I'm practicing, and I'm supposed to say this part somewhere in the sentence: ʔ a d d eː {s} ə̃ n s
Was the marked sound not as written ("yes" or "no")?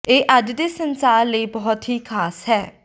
no